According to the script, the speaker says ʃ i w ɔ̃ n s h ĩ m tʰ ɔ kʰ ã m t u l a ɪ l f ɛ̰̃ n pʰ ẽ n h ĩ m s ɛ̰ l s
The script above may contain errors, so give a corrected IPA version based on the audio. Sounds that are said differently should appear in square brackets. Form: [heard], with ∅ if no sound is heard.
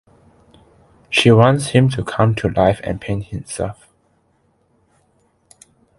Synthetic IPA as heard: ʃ i w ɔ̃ n s h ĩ m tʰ [u] kʰ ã m [tʰ] u l a ɪ [∅] f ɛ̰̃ n pʰ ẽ n h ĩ m s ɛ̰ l [f]